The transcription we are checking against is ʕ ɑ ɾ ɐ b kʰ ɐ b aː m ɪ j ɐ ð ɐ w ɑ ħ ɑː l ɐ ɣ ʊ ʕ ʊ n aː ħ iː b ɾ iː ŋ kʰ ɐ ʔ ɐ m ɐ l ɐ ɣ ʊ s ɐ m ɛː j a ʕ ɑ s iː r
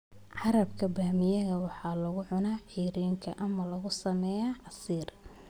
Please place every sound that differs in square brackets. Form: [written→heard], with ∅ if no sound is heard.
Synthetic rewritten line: ʕ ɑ ɾ ɐ b kʰ ɐ b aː m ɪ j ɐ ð ɐ w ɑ ħ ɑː l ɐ ɣ ʊ ʕ ʊ n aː ħ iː [b→∅] ɾ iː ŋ kʰ ɐ ʔ ɐ m ɐ l ɐ ɣ ʊ s ɐ m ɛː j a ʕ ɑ s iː r